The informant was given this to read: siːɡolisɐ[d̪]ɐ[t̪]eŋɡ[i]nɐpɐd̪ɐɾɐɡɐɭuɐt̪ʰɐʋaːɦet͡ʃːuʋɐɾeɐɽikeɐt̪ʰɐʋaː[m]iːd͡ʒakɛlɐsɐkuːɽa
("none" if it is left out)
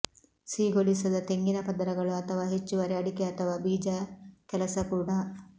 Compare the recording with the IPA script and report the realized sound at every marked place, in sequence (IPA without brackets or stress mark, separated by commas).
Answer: d̪, t̪, i, b